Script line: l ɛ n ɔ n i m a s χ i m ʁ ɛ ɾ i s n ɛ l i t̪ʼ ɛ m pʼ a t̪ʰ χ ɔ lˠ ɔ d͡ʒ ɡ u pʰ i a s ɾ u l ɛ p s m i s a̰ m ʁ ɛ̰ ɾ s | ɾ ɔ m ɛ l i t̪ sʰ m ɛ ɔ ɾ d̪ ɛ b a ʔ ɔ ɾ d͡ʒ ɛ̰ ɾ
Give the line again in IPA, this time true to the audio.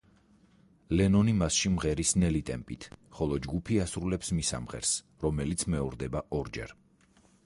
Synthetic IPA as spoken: l ɛ n ɔ n i m a s ʃ i m ʁ ɛ ɾ i s n ɛ l i t̪ʼ ɛ m pʼ i t̪ʰ χ ɔ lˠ ɔ d͡ʒ ɡ u pʰ i a s ɾ u l ɛ p s m i s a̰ m ʁ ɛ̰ ɾ s | ɾ ɔ m ɛ l i t̪ sʰ m ɛ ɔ ɾ d̪ ɛ b a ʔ ɔ ɾ d͡ʒ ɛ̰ ɾ